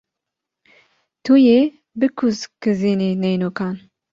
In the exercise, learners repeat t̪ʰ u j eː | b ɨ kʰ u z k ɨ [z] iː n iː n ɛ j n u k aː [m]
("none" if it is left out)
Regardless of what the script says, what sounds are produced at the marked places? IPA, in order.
z, n

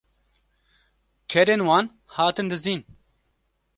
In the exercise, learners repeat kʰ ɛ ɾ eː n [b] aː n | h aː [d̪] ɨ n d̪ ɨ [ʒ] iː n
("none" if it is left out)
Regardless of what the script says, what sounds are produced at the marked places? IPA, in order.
w, t̪, z

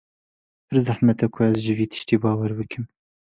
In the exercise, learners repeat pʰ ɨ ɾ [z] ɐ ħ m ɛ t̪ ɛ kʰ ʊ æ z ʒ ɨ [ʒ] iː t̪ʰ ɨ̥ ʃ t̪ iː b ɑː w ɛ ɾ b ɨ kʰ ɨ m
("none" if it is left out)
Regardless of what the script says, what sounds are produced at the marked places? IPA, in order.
z, v

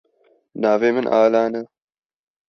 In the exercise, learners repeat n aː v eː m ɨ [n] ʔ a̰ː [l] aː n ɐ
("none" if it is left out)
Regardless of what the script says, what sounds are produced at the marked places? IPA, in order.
n, l

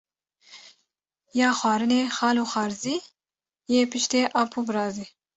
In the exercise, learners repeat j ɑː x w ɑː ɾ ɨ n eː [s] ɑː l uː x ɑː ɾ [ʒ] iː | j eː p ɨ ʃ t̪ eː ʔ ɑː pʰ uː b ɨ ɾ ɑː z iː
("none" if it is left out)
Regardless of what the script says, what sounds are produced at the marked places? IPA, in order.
x, z

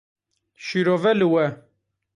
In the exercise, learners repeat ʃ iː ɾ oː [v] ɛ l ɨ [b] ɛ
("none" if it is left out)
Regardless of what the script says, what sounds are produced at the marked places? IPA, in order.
v, w

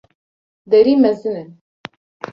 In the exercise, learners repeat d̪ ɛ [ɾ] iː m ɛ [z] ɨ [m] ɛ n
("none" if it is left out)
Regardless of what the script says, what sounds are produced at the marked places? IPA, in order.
ɾ, z, n

